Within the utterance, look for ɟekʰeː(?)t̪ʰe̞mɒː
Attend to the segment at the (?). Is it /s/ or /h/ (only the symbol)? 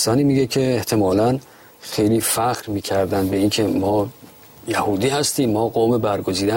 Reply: h